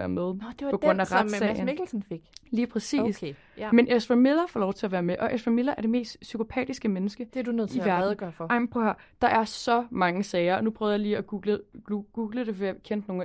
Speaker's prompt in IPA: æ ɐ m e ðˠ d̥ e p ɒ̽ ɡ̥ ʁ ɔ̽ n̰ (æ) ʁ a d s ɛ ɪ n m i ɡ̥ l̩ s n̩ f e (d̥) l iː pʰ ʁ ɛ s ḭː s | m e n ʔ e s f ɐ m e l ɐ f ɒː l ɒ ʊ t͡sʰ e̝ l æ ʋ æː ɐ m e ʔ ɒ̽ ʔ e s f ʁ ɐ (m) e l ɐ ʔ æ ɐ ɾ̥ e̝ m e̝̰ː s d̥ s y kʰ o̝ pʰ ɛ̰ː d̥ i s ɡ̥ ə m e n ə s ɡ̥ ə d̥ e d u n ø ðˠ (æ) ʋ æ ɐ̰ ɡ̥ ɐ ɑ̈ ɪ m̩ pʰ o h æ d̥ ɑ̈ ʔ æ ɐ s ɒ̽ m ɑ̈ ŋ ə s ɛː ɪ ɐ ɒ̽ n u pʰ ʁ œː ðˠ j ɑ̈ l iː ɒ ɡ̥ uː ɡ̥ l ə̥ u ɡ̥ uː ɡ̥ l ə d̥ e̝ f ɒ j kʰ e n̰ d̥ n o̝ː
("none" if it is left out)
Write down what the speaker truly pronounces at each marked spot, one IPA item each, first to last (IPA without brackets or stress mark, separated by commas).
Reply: æ, ɡ̥, m, i